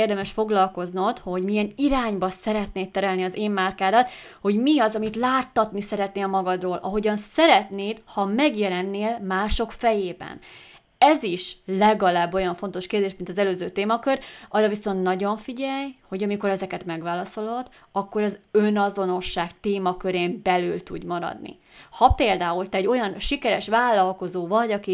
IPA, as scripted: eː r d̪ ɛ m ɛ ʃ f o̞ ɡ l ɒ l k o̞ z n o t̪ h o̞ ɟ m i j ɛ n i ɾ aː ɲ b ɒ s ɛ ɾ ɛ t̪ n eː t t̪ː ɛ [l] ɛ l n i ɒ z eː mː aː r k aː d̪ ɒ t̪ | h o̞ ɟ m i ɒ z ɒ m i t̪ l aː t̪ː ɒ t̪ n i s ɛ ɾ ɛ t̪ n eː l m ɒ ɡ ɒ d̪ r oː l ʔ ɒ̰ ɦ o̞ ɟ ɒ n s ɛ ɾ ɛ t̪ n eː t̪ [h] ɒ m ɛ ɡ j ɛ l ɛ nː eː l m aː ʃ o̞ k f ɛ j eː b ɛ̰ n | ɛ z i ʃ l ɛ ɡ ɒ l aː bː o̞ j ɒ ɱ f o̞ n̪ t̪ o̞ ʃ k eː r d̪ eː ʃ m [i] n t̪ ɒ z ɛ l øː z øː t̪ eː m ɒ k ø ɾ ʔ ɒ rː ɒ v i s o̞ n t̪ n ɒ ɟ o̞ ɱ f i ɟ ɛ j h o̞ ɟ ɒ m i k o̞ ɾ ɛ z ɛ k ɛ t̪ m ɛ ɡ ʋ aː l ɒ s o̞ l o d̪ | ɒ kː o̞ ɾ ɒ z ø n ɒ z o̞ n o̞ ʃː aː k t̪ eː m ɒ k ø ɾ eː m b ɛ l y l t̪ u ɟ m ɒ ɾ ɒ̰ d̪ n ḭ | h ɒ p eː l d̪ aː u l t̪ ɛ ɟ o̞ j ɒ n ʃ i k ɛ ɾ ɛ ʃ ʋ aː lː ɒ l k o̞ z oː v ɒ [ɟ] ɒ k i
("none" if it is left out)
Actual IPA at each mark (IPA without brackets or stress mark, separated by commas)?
ɾ, h, i, ɟ